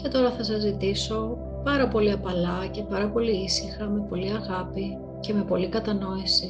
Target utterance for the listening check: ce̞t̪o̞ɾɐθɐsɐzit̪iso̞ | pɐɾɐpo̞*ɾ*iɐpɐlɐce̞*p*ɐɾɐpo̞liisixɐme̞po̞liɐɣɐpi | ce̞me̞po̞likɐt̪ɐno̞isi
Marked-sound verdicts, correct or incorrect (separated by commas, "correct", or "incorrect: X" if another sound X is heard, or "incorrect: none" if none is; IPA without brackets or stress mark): incorrect: l, correct